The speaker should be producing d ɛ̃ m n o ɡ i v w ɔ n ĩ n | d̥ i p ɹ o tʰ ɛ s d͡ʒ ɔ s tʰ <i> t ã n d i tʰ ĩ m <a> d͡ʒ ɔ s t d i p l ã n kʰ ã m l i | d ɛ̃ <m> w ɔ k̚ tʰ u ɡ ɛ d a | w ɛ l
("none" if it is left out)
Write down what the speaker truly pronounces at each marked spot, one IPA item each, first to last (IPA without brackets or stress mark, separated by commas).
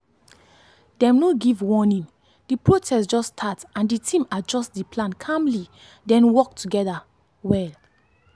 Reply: a, a, n